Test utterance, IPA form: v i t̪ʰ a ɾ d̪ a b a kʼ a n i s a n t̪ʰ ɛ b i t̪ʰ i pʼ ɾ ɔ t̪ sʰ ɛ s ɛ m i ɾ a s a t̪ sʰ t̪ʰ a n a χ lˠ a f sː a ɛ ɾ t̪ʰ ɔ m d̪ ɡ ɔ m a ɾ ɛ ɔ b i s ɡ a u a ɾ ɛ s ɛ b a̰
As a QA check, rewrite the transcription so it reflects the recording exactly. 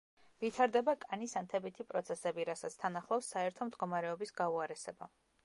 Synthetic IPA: v i t̪ʰ a ɾ d̪ ɛ b a kʼ a n i s a n t̪ʰ ɛ b i t̪ʰ i pʼ ɾ ɔ t̪ sʰ ɛ s ɛ b i ɾ a s a t̪ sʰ t̪ʰ a n a χ lˠ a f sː a ɛ ɾ t̪ʰ ɔ m d̪ ɡ ɔ m a ɾ ɛ ɔ b i s ɡ a u a ɾ ɛ s ɛ b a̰